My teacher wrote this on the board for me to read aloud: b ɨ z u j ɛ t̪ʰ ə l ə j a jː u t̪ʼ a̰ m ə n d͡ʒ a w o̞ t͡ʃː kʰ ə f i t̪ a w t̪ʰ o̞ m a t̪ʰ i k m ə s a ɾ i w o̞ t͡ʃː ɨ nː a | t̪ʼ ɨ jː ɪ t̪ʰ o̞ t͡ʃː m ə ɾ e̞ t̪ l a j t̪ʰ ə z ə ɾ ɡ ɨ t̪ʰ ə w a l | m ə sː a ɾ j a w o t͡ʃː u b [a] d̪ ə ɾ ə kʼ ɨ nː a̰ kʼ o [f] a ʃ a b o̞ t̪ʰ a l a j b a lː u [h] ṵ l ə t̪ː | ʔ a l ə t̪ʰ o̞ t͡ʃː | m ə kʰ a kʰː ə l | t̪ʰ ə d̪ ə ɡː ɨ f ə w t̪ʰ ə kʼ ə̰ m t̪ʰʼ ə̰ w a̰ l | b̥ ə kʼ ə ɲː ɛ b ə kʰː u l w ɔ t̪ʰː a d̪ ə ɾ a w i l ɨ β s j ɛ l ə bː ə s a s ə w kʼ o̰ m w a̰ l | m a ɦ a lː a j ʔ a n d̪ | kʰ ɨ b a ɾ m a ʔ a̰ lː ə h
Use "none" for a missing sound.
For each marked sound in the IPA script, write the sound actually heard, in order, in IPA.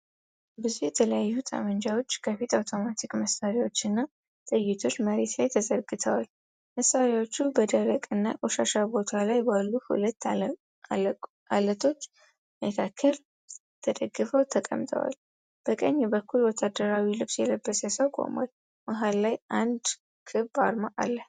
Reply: ə, ʃ, h

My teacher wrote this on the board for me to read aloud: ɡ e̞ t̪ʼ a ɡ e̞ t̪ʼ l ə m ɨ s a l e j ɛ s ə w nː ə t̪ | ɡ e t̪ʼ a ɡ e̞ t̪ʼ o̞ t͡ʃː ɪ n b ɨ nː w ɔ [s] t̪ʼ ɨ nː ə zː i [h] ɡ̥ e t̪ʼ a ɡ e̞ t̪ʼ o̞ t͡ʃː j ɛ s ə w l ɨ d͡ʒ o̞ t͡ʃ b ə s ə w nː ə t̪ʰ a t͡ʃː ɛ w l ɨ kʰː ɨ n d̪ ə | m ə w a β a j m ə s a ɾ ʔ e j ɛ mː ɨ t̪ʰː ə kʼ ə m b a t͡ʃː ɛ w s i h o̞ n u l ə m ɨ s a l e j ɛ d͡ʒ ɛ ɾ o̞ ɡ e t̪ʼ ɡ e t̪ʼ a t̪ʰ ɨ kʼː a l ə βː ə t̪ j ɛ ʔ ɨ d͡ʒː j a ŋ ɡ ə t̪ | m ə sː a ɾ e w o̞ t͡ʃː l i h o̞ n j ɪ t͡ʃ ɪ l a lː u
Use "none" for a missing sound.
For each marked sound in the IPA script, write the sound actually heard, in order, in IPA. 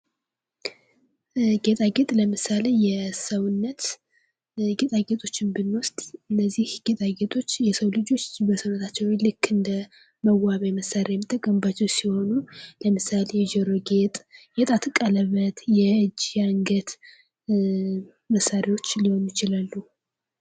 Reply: s, h

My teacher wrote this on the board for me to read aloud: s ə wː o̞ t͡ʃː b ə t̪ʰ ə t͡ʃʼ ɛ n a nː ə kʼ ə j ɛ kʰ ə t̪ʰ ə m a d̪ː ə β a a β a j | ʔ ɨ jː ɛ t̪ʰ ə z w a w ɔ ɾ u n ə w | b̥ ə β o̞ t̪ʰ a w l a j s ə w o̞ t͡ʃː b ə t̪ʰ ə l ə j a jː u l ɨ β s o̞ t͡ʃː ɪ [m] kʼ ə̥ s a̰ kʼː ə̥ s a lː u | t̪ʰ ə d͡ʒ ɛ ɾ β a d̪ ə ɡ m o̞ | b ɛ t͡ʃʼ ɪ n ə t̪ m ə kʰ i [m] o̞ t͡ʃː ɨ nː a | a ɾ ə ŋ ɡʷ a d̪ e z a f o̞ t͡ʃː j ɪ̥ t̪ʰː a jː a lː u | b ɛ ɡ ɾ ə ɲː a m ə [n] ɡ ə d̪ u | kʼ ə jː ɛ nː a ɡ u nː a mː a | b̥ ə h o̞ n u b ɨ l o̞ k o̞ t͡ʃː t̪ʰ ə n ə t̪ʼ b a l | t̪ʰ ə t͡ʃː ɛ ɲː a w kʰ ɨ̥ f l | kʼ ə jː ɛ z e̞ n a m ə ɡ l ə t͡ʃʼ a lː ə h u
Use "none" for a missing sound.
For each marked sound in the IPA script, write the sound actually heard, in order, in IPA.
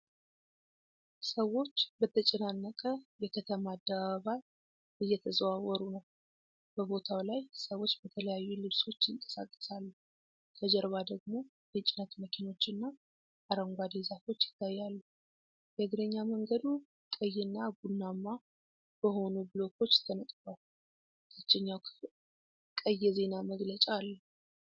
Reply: ŋ, n, ŋ

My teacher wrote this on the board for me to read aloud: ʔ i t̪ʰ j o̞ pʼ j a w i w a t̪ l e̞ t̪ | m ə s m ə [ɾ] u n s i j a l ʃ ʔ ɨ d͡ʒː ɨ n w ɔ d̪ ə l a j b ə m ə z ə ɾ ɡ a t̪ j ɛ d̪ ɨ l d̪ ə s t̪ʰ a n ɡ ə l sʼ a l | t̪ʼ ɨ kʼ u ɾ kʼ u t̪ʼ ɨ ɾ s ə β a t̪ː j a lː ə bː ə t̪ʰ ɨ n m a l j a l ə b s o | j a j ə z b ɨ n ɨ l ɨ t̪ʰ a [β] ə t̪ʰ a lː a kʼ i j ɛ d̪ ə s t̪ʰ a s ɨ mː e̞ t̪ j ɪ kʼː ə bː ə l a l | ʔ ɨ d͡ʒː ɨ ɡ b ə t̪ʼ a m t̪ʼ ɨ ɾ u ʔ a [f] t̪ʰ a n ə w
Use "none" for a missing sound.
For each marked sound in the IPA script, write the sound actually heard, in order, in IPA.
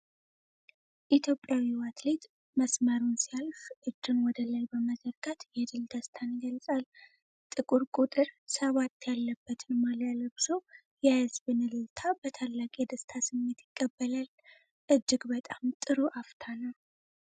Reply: ɾ, b, f

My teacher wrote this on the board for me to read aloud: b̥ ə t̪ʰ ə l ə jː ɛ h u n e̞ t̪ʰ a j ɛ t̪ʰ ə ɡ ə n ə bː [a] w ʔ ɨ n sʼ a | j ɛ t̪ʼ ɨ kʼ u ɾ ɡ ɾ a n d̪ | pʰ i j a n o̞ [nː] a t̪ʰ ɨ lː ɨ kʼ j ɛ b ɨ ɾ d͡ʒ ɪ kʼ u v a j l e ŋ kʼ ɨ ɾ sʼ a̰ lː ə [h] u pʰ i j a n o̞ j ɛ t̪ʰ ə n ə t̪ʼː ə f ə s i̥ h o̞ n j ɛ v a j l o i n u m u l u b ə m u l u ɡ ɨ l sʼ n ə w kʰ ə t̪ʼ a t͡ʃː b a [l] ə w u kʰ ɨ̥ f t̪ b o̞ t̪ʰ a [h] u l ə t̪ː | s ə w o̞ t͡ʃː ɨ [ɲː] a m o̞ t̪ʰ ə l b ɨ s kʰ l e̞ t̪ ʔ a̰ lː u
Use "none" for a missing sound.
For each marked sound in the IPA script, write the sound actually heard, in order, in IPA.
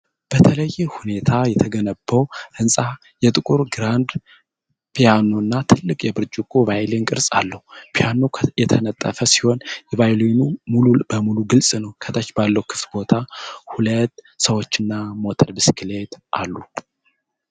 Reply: ə, nː, h, lː, h, nː

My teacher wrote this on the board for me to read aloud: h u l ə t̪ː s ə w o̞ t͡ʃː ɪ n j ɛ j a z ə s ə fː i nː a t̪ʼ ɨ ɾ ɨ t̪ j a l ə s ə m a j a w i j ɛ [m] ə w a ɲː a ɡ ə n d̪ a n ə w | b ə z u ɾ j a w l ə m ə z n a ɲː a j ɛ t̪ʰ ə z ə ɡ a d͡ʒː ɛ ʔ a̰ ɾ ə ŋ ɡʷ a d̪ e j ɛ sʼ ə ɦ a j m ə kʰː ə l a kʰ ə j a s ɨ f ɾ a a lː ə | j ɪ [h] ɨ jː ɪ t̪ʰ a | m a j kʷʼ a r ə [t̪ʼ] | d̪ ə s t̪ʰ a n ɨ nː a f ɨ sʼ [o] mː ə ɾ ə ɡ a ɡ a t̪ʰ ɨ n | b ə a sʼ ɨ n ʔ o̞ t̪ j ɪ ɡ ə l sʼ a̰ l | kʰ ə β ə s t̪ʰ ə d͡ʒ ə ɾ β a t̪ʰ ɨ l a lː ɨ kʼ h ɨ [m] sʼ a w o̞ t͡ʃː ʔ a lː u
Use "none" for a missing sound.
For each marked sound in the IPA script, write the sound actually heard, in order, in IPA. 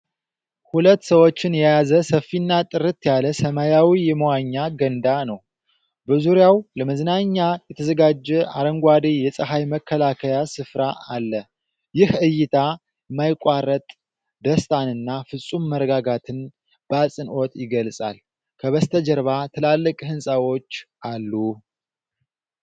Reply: m, h, t̪ʼ, u, n

